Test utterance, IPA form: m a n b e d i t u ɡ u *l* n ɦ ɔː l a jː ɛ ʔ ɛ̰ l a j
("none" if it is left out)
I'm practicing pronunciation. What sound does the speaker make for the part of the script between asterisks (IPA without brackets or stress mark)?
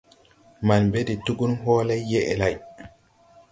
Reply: none